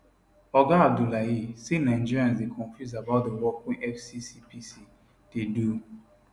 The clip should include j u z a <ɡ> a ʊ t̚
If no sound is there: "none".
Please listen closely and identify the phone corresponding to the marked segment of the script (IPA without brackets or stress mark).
b